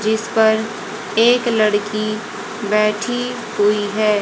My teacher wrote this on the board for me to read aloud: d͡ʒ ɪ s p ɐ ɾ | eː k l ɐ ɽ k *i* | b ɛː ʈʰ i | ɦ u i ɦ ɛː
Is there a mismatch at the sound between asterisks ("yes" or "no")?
no